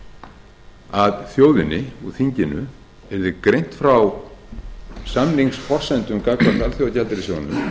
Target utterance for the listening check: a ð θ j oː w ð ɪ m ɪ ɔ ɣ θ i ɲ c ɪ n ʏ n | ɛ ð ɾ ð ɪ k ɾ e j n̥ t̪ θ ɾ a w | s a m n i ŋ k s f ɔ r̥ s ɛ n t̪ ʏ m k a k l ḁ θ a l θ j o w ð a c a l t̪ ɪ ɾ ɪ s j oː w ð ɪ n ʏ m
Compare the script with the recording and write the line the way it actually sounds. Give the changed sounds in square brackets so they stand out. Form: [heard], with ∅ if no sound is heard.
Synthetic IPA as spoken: a ð θ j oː w ð ɪ [n] ɪ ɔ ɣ θ i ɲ c ɪ n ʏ [∅] | ɛ [∅] ɾ ð ɪ k ɾ e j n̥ t̪ [f] ɾ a w | s a m n i ŋ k s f ɔ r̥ s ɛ n t̪ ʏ m k a k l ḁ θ a l θ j o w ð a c a l t̪ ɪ ɾ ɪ s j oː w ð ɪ n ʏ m